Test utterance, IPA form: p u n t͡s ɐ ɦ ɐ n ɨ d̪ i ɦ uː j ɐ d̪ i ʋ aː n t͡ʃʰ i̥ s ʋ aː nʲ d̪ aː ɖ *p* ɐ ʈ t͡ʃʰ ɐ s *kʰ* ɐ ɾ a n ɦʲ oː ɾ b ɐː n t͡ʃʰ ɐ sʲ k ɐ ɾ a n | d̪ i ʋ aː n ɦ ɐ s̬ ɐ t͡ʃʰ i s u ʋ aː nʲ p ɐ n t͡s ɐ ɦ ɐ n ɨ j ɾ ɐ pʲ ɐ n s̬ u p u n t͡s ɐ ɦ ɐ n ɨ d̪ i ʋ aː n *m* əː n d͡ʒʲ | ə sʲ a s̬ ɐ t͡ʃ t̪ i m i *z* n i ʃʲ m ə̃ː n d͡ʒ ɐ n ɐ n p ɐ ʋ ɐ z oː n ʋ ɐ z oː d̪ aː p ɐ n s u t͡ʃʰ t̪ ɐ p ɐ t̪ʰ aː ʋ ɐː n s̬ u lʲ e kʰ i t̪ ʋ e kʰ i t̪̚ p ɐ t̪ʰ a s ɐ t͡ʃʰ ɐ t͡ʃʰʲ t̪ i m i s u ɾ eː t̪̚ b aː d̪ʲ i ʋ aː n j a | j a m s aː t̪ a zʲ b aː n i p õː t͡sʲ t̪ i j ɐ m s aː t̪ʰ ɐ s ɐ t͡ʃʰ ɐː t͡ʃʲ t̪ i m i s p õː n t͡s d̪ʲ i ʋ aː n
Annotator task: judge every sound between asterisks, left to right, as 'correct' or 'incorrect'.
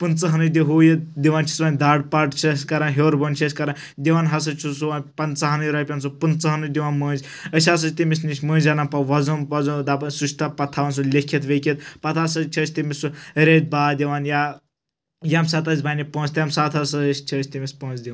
correct, incorrect, correct, incorrect

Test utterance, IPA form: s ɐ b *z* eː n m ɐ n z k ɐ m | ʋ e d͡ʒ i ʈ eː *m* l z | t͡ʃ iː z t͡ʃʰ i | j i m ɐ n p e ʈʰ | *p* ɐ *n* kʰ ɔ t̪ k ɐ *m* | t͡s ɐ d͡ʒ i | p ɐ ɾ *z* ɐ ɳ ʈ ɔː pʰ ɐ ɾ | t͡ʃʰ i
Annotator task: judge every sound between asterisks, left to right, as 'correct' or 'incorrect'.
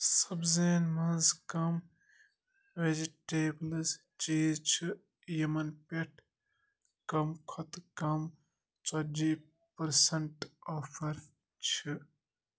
correct, incorrect, incorrect, incorrect, correct, incorrect

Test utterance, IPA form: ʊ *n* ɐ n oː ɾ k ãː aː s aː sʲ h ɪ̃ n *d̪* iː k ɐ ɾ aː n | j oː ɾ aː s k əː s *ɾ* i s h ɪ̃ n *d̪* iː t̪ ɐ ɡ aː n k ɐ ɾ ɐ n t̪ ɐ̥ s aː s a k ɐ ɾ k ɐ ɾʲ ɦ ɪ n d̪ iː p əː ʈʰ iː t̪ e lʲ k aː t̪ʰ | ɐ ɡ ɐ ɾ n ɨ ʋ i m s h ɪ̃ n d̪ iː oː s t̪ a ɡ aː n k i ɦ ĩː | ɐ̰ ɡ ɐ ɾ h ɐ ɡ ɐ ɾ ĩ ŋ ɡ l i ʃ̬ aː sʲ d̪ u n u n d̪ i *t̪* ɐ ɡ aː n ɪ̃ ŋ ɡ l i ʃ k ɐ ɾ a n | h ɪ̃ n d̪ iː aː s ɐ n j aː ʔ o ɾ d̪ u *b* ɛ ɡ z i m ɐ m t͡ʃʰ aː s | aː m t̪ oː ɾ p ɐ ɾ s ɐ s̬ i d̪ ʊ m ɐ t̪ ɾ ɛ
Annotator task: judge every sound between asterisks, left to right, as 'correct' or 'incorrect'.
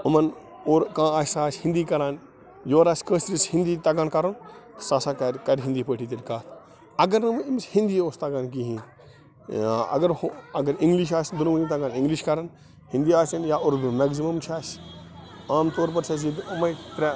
incorrect, correct, correct, correct, correct, incorrect

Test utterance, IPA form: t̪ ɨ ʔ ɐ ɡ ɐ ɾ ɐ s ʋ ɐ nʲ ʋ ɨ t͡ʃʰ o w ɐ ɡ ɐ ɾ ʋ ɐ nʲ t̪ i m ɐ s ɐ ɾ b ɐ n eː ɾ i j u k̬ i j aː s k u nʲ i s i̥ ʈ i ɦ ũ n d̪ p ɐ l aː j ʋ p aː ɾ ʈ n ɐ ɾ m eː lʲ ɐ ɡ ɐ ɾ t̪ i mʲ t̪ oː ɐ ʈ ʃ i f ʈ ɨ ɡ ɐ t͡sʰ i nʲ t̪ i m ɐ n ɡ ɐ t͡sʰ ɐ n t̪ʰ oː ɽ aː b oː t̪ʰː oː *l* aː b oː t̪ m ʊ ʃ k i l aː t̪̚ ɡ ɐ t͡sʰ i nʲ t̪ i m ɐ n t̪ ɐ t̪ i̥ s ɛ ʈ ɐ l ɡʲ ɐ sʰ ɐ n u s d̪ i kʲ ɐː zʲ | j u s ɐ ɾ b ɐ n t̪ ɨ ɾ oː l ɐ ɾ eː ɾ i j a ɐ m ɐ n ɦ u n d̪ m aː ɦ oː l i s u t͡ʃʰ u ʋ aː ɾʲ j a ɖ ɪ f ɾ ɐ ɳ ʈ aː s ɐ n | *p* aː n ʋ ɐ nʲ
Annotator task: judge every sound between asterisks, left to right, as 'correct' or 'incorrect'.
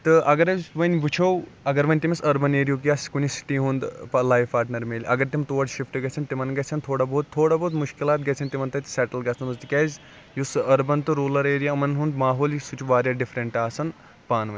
incorrect, correct

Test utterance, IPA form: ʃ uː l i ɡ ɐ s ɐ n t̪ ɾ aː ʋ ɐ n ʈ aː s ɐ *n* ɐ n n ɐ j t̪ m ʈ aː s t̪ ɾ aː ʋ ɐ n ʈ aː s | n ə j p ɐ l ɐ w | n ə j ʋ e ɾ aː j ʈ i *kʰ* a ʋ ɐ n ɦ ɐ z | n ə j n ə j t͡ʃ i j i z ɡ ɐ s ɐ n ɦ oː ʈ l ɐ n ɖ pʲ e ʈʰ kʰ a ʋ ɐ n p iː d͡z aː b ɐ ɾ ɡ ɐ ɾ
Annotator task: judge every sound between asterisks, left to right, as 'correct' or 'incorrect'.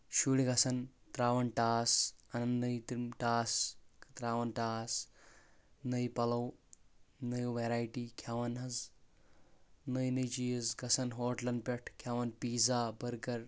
correct, correct

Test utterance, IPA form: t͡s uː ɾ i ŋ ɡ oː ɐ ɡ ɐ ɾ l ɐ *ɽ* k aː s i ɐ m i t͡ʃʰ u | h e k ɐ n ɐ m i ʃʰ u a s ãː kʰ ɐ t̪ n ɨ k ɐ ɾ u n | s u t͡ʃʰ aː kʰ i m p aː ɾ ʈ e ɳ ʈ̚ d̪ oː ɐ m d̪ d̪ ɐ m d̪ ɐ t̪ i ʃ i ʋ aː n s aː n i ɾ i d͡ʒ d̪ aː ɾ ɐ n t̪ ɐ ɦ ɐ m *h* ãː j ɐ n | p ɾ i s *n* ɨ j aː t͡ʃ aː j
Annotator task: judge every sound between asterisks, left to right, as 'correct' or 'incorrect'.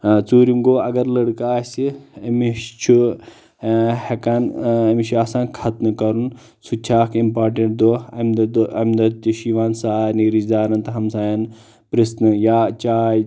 correct, incorrect, correct

